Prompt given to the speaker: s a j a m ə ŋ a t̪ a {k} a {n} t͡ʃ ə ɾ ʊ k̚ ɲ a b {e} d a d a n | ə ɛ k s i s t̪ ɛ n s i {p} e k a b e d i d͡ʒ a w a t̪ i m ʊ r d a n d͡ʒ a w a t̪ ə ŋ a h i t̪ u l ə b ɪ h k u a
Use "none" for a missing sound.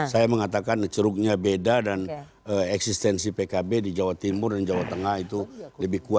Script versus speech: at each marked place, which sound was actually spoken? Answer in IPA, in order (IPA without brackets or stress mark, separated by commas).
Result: k, n, e, p